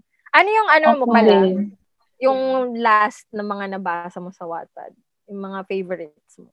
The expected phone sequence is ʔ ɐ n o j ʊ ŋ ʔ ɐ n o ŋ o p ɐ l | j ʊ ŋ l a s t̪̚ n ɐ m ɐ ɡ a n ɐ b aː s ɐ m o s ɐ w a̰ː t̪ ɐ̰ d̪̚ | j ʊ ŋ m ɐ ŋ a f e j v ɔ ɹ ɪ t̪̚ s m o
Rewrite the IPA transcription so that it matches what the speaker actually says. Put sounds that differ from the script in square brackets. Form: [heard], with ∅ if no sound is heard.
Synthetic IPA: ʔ ɐ n o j ʊ ŋ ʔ ɐ n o [m] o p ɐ l | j ʊ ŋ l a s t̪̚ n ɐ m ɐ [ŋ] a n ɐ b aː s ɐ m o s ɐ w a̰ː t̪ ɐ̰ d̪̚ | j ʊ ŋ m ɐ ŋ a f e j v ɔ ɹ ɪ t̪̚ s m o